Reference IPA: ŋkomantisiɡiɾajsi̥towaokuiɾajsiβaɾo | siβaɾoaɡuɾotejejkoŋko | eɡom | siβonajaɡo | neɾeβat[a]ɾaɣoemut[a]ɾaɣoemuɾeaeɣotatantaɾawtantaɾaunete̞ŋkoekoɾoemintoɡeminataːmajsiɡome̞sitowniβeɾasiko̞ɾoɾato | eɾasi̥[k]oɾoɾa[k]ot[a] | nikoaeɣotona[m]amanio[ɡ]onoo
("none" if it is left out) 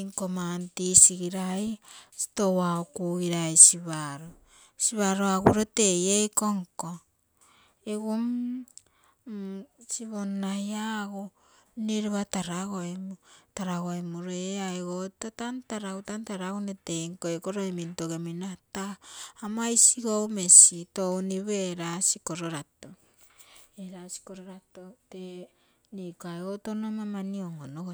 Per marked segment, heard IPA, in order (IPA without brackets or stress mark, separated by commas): a, a, k, t, e, m, ŋ